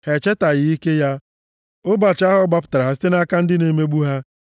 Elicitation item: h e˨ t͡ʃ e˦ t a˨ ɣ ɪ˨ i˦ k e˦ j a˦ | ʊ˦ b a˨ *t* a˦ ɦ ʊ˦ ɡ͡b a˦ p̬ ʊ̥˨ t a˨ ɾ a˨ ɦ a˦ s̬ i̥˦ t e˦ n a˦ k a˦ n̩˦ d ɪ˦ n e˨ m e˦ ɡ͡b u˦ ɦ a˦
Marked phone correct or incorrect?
incorrect